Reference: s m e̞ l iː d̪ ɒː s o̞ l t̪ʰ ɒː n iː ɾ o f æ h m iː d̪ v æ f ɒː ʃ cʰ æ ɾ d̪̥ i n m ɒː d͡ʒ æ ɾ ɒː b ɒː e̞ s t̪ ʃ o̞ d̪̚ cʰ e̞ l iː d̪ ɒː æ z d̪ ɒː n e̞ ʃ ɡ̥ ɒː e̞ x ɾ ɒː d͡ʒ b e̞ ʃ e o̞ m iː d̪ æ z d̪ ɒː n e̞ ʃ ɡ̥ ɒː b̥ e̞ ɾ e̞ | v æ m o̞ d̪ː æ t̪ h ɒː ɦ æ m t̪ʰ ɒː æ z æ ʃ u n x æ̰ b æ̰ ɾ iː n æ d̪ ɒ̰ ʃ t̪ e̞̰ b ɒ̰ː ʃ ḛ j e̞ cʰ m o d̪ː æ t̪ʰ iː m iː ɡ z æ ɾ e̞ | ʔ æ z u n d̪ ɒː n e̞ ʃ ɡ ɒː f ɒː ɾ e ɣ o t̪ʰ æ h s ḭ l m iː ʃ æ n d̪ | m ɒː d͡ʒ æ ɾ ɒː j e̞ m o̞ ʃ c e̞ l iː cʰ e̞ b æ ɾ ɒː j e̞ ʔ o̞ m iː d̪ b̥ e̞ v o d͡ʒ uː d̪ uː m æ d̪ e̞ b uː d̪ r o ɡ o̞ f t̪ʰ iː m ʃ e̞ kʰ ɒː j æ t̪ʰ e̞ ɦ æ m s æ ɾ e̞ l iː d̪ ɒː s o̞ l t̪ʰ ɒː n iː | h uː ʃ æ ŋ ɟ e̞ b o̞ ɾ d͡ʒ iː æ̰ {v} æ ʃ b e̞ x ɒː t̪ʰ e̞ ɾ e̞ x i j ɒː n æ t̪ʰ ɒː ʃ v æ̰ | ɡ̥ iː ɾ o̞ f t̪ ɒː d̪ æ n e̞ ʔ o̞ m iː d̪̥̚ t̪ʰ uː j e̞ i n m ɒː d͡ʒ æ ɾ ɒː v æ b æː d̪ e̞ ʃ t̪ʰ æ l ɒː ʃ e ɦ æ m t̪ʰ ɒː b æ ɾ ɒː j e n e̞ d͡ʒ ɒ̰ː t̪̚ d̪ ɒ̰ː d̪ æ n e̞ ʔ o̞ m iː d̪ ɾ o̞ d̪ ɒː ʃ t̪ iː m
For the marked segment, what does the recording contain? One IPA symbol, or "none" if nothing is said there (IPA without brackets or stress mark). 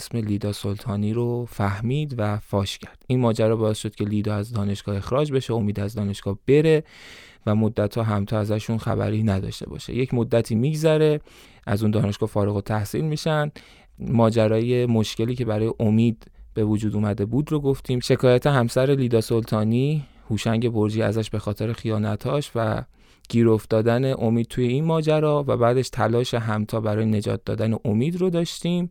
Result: z